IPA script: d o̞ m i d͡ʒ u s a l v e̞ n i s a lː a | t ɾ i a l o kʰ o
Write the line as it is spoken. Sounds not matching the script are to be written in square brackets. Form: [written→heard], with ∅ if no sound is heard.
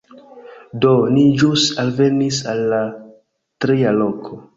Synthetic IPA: d o̞ [m→n] i d͡ʒ u s a l v e̞ n i s a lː a | t ɾ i a l o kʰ o